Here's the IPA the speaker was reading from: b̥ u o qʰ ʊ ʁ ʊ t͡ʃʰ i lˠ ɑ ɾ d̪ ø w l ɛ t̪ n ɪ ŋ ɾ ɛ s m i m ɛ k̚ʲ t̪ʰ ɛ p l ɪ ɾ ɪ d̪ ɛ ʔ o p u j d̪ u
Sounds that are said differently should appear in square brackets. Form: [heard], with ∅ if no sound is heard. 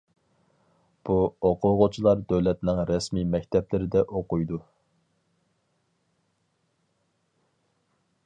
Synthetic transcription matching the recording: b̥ u o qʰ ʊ ʁ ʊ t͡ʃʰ i lˠ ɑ ɾ d̪ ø w l ɛ t̪ n ɪ ŋ ɾ ɛ s m i m ɛ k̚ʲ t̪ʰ ɛ p l ɪ ɾ ɪ d̪ ɛ ʔ o [q] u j d̪ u